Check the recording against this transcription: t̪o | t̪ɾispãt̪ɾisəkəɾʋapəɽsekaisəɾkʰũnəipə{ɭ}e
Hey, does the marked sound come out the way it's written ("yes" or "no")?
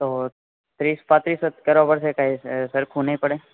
no